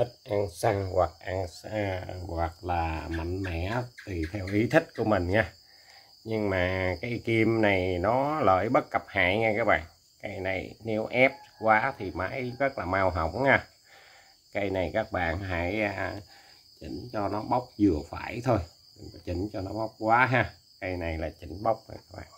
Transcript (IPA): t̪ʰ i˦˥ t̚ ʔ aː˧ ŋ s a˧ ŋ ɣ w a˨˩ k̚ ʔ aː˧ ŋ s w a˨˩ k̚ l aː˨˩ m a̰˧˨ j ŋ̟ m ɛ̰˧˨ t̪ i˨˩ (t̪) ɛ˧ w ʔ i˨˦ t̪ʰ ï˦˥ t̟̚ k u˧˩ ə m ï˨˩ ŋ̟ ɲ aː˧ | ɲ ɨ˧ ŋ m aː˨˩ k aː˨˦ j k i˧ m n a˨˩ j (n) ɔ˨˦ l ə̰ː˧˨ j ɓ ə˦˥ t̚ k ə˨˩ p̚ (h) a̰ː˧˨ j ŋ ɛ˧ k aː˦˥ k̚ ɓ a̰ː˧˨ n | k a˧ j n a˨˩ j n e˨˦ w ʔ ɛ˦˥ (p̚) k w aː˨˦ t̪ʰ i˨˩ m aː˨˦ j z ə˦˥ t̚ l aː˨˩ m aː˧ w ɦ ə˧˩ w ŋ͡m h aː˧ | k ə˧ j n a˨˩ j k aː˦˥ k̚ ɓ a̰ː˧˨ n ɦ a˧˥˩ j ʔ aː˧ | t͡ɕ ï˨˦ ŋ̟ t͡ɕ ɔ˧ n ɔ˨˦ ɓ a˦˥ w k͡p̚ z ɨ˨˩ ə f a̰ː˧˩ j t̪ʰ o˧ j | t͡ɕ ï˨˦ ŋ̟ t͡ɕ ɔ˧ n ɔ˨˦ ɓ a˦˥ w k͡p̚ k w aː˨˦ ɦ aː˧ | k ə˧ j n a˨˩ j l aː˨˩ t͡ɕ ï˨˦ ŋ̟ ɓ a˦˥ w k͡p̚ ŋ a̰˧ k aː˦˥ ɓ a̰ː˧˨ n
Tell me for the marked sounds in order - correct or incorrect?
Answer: incorrect, correct, correct, correct

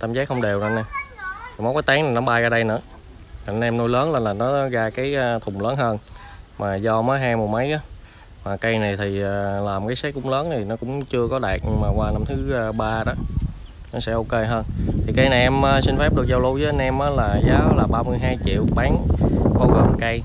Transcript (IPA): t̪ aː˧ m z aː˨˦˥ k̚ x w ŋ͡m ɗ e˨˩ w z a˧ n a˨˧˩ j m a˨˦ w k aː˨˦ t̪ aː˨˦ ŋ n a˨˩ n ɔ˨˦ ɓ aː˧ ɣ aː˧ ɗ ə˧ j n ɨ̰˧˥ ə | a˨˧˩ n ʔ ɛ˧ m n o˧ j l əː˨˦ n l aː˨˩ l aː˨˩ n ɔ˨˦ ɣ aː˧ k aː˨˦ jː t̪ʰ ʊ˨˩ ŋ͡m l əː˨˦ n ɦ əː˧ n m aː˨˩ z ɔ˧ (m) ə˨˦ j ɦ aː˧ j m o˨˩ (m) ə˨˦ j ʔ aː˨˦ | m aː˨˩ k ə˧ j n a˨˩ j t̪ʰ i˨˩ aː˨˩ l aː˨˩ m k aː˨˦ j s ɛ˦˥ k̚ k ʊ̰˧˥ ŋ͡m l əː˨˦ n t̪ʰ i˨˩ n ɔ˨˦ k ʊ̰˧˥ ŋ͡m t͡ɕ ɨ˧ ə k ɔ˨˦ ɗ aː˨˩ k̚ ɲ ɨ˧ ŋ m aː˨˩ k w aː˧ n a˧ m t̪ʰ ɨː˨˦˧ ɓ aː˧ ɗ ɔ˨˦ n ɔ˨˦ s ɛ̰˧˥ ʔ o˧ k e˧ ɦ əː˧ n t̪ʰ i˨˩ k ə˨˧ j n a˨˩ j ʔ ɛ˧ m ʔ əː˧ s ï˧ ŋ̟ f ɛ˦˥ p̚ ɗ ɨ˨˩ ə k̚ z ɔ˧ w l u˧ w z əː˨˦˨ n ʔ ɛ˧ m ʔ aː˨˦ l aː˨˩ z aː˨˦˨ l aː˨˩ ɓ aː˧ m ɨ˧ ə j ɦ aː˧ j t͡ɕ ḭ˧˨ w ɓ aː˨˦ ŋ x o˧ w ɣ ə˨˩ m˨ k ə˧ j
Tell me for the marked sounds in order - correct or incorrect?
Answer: correct, correct

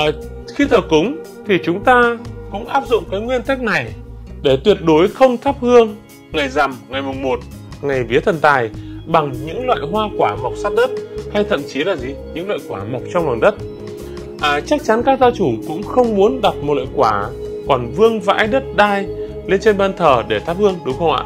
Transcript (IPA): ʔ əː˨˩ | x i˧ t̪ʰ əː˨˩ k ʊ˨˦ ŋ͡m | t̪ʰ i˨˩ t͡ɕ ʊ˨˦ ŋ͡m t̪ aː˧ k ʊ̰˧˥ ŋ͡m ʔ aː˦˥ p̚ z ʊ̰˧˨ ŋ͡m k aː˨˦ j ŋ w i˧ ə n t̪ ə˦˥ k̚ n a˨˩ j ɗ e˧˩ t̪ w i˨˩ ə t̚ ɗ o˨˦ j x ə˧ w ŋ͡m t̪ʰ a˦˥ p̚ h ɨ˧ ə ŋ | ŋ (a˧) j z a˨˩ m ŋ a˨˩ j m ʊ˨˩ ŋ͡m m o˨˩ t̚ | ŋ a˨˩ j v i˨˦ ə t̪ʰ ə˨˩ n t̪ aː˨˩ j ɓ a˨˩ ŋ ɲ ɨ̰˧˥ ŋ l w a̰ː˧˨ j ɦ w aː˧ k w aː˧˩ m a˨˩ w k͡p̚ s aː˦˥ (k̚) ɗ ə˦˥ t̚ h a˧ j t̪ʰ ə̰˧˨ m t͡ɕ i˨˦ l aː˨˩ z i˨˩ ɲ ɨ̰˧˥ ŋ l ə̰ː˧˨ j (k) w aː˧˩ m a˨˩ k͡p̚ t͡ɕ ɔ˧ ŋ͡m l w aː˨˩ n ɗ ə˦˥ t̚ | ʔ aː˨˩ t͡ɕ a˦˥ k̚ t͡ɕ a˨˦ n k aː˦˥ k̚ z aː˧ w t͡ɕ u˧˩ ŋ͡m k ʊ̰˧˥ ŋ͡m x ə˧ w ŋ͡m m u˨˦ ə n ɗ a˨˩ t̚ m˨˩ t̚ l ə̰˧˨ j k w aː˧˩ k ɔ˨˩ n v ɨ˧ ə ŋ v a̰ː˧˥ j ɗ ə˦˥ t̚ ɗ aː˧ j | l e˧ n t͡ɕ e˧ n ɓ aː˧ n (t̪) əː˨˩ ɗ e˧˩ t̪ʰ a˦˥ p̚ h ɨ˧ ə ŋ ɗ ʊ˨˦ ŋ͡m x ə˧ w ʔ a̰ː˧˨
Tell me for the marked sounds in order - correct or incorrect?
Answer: incorrect, incorrect, correct, incorrect

